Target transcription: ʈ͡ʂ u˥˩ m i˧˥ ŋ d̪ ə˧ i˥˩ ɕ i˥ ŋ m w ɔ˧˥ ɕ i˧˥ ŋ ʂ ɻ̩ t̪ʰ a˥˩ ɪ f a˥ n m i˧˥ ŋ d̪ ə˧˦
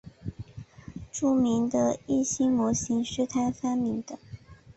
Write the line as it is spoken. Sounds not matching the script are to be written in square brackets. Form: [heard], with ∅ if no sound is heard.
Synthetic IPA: ʈ͡ʂ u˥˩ m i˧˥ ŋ d̪ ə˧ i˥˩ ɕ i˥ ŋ m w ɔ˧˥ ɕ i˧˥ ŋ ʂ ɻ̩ t̪ʰ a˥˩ ɪ f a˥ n m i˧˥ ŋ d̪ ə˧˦